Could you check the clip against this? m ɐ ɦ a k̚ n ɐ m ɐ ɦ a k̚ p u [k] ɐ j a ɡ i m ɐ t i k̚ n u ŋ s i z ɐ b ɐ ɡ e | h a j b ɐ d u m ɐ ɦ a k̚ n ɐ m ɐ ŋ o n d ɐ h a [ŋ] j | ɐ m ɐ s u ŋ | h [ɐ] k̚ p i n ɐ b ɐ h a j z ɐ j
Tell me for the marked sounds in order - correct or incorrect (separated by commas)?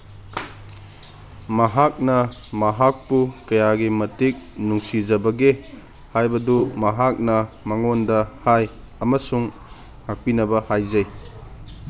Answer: correct, incorrect, incorrect